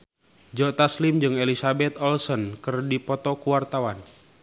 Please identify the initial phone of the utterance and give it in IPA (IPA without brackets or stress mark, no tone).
d͡ʒ